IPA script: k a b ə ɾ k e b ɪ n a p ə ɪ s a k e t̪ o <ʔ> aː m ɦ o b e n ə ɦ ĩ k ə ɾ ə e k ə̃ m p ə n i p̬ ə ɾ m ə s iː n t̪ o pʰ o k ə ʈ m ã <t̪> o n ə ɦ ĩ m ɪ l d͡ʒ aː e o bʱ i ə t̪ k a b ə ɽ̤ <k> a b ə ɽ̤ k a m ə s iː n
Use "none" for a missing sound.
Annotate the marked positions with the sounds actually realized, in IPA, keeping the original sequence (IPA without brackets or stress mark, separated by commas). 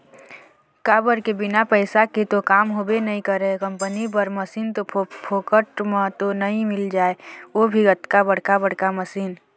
k, t̪, k